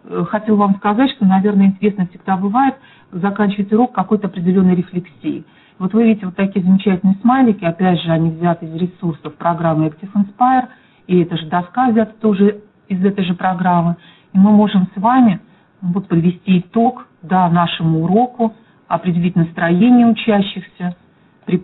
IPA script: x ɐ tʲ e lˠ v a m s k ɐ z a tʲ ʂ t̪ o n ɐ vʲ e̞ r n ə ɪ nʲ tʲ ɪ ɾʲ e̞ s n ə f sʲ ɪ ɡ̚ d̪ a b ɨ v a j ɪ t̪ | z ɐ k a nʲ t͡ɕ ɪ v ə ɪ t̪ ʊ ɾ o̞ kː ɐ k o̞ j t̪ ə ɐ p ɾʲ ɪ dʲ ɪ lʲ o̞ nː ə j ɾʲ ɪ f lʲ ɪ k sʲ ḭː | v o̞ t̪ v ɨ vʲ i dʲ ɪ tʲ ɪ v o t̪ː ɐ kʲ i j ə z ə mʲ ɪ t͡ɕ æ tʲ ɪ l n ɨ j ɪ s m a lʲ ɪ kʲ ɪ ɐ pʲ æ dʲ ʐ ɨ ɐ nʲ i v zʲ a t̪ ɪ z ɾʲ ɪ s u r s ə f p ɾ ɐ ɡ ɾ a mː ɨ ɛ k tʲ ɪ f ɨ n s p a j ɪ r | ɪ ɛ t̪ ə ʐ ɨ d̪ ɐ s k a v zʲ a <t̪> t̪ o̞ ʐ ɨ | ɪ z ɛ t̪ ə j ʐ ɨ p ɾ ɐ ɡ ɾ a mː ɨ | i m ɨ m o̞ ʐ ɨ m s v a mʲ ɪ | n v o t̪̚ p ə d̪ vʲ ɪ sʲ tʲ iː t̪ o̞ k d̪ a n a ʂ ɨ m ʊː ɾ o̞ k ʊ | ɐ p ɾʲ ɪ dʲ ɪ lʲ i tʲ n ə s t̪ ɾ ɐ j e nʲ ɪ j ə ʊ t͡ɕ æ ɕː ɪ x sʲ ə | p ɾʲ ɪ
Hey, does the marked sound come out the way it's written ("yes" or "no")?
yes